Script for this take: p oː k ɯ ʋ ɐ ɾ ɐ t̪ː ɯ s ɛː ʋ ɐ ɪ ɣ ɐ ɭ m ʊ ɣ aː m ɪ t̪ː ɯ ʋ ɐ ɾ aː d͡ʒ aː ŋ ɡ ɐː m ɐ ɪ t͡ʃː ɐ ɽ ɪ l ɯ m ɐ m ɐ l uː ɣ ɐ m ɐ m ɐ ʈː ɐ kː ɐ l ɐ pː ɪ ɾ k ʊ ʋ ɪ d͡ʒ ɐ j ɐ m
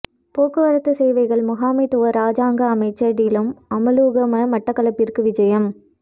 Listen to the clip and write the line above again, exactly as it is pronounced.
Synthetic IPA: p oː k ɯ ʋ ɐ ɾ ɐ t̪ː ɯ s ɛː ʋ ɐ ɪ ɣ ɐ ɭ m ʊ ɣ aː m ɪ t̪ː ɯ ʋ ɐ ɾ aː d͡ʒ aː ŋ ɡ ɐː m ɐ ɪ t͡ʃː ɐ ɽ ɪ l ɯ m ɐ m ɐ l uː ɣ ɐ m ɐ m ɐ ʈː ɐ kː ɐ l ɐ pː ɪ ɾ k ɯ ʋ ɪ d͡ʒ ɐ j ɐ m

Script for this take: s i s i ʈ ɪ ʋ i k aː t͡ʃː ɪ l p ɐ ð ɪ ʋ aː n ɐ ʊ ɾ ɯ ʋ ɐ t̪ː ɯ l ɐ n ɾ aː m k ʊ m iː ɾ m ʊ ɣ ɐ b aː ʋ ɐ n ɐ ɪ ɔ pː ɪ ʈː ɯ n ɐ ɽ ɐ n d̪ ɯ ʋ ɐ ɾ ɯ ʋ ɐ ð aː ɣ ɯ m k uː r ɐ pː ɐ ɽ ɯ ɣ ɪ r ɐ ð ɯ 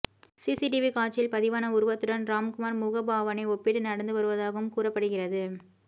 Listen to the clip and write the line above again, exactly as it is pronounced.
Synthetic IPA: s i s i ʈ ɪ ʋ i k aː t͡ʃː ɪ l p ɐ ð ɪ ʋ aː n ɐ ʊ ɾ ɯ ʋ ɐ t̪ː ɯ ɽ ɐ n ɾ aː m k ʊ m aː ɾ m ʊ ɣ ɐ b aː ʋ ɐ n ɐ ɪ ɔ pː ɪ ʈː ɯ n ɐ ɽ ɐ n d̪ ɯ ʋ ɐ ɾ ɯ ʋ ɐ ð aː ɣ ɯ m k uː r ɐ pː ɐ ɽ ɯ ɣ ɪ r ɐ ð ɯ

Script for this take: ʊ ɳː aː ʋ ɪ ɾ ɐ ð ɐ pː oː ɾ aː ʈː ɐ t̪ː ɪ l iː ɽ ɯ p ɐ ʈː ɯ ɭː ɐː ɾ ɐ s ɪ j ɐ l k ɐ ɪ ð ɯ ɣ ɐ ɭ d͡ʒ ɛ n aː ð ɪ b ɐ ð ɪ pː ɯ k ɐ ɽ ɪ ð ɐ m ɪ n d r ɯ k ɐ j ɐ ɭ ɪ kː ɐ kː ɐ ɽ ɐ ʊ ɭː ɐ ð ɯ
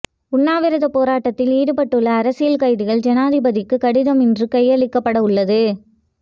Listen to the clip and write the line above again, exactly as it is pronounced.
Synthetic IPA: ʊ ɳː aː ʋ ɪ ɾ ɐ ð ɐ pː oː ɾ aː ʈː ɐ t̪ː ɪ l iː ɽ ɯ p ɐ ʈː ɯ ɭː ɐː ɾ ɐ s ɪ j ɐ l k ɐ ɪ ð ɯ ɣ ɐ ɭ d͡ʒ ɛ n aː ð ɪ b ɐ ð ɪ kː ɯ k ɐ ɽ ɪ ð ɐ m ɪ n d r ɯ k ɐ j ɐ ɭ ɪ kː ɐ pː ɐ ɽ ɐ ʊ ɭː ɐ ð ɯ

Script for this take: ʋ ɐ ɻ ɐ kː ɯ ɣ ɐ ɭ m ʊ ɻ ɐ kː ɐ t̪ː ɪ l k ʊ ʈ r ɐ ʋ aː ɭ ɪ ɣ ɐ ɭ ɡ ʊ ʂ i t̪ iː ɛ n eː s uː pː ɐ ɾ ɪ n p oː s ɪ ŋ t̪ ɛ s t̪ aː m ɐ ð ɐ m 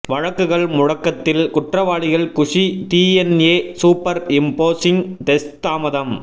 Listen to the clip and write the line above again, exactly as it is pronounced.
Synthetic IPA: ʋ ɐ ɻ ɐ kː ɯ ɣ ɐ ɭ m ʊ ɻ ɐ kː ɐ t̪ː ɪ l k ʊ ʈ r ɐ ʋ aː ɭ ɪ ɣ ɐ ɭ k ʊ ʂ i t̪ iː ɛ n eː s uː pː ɐ ɾ ɪ m p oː s ɪ ŋ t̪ ɛ s t̪ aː m ɐ ð ɐ m

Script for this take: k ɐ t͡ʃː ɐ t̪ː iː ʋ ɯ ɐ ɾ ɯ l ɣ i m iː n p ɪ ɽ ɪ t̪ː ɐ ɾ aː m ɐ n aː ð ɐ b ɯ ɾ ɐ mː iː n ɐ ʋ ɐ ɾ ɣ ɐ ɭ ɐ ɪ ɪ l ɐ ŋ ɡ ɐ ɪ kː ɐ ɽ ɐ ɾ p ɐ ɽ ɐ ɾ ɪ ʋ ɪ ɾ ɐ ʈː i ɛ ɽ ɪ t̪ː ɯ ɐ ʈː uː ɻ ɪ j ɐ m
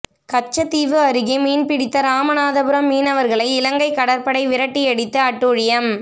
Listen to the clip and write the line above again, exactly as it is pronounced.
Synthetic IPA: k ɐ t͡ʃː ɐ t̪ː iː ʋ ɯ ɐ ɾ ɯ ɣ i m iː n p ɪ ɽ ɪ t̪ː ɐ ɾ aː m ɐ n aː ð ɐ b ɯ ɾ ɐ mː iː n ɐ ʋ ɐ ɾ ɣ ɐ ɭ ɐ ɪ ɪ l ɐ ŋ ɡ ɐ ɪ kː ɐ ɽ ɐ ɾ p ɐ ɽ ɐ ɪ ʋ ɪ ɾ ɐ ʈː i ɛ ɽ ɪ t̪ː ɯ ɐ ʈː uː ɻ ɪ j ɐ m

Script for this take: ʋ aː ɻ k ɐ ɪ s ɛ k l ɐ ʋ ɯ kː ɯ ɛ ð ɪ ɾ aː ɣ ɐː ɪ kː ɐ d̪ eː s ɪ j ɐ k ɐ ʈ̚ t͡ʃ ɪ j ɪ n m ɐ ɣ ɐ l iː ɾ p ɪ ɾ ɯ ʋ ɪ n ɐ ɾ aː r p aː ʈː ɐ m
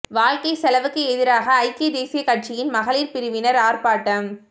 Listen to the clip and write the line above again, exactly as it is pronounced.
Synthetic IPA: ʋ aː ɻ k ɐ ɪ s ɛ l ɐ ʋ ɯ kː ɯ ɛ ð ɪ ɾ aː ɣ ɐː ɪ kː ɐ d̪ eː s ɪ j ɐ k ɐ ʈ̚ t͡ʃ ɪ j ɪ n m ɐ ɣ ɐ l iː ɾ p ɪ ɾ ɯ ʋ ɪ n ɐ ɾ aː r p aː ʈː ɐ m

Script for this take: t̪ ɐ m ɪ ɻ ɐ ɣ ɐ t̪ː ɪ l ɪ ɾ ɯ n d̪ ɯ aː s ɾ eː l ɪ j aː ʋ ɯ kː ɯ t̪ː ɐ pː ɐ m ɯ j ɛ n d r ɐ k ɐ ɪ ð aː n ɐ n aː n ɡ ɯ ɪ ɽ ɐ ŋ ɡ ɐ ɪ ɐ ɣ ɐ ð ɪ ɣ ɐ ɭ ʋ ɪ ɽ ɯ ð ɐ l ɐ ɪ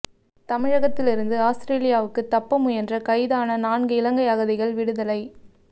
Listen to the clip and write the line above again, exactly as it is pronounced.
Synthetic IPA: t̪ ɐ m ɪ ɻ ɐ ɣ ɐ t̪ː ɪ l ɪ ɾ ɯ n d̪ ɯ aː s ɾ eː l ɪ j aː ʋ ɯ kː ɯ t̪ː ɐ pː ɐ m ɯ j ɛ n d r ɐ k ɐ ɪ ð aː n ɐ n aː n ɡ ɯ ɪ l ɐ ŋ ɡ ɐ ɪ ɐ ɣ ɐ ð ɪ ɣ ɐ ɭ ʋ ɪ ɽ ɯ ð ɐ l ɐ ɪ

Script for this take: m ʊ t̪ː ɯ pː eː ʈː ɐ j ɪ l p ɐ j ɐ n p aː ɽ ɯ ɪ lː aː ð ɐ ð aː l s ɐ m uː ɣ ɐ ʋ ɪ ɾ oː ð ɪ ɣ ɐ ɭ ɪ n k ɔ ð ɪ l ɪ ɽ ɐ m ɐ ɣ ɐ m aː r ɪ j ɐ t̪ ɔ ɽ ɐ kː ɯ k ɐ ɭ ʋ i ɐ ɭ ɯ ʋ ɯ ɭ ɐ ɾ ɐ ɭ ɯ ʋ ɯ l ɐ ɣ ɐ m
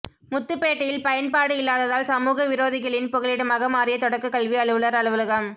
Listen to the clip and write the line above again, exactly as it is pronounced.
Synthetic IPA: m ʊ t̪ː ɯ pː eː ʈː ɐ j ɪ l p ɐ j ɐ n p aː ɽ ɯ ɪ lː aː ð ɐ ð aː l s ɐ m uː ɣ ɐ ʋ ɪ ɾ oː ð ɪ ɣ ɐ ɭ ɪ n p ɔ ɣ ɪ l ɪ ɽ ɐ m ɐ ɣ ɐ m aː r ɪ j ɐ t̪ ɔ ɽ ɐ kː ɯ k ɐ ɭ ʋ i ɐ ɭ ɯ ʋ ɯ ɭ ɐ ɾ ɐ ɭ ɯ ʋ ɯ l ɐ ɣ ɐ m

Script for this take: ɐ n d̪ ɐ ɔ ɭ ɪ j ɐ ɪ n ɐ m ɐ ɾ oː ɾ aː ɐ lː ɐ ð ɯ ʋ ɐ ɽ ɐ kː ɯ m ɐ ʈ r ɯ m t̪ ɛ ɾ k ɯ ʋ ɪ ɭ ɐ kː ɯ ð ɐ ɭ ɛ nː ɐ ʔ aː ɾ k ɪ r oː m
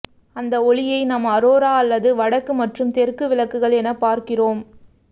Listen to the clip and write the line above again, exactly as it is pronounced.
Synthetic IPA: ɐ n d̪ ɐ ɔ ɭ ɪ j ɐ ɪ n ɐ m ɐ ɾ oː ɾ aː ɐ lː ɐ ð ɯ ʋ ɐ ɽ ɐ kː ɯ m ɐ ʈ r ɯ m t̪ ɛ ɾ k ɯ ʋ ɪ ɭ ɐ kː ɯ ɣ ɐ ɭ ɛ n ɐ p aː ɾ k ɪ r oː m

